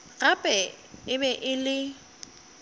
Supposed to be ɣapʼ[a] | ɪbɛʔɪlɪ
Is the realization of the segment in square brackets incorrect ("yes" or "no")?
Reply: yes